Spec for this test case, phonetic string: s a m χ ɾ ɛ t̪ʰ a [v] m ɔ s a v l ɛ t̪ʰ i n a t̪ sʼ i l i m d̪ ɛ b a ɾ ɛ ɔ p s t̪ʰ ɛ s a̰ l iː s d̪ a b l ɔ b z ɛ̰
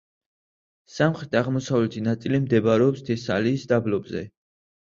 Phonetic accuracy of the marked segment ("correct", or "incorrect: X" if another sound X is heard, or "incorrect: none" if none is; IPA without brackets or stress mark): incorrect: ʁ